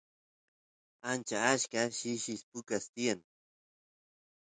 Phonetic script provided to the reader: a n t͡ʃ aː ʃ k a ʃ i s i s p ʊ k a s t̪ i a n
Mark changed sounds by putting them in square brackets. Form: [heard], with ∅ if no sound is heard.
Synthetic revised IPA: a n t͡ʃ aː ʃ k a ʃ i [ʃ] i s p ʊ k a s t̪ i a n